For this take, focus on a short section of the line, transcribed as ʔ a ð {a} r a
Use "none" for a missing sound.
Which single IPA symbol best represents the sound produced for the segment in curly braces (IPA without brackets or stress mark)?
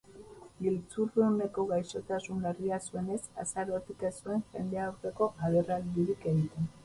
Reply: e